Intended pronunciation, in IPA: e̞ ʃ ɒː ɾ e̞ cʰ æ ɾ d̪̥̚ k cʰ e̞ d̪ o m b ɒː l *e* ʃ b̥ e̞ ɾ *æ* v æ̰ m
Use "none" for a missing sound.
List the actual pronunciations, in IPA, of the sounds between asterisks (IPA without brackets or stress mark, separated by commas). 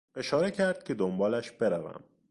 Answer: æ, æ